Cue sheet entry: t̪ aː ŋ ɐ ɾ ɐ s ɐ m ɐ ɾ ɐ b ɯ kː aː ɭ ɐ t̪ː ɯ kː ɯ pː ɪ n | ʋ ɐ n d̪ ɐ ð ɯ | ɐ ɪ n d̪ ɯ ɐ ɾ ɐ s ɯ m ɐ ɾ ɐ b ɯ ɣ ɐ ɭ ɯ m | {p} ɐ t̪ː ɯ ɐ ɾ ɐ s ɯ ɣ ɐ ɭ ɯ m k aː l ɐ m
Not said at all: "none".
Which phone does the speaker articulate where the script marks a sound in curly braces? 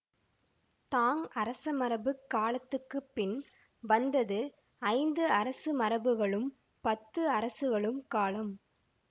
p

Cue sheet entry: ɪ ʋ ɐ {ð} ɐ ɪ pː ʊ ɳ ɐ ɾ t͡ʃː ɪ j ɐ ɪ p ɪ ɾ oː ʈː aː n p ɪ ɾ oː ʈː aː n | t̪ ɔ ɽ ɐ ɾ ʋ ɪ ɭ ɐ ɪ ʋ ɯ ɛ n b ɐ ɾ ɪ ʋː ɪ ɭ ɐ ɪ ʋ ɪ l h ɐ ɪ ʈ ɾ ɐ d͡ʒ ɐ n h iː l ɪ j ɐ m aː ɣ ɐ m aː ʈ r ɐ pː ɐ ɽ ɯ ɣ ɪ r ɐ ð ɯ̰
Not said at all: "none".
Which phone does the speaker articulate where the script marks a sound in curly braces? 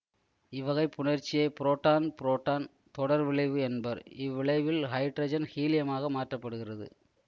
ɣ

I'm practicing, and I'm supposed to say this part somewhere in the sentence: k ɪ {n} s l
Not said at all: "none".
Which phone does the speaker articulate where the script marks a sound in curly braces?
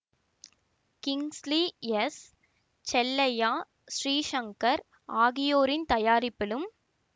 ŋ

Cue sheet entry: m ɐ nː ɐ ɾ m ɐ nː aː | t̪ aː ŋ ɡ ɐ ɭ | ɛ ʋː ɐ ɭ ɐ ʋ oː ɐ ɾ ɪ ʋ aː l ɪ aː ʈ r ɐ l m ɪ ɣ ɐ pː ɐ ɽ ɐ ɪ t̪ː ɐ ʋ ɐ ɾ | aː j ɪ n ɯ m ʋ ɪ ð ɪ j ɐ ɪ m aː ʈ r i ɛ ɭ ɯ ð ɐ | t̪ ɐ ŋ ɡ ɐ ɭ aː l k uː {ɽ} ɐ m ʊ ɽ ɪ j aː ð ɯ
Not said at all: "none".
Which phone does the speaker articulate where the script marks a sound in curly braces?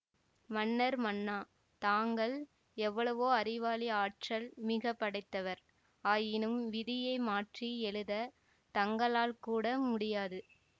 ɽ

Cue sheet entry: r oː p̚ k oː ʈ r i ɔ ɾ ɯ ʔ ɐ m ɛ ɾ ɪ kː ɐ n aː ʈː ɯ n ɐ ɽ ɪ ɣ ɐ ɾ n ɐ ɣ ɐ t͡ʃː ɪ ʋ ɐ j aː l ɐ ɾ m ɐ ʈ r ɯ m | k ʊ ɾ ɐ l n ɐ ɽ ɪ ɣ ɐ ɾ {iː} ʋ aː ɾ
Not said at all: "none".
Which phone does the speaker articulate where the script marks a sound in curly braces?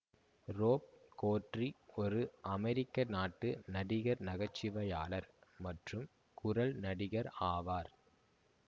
aː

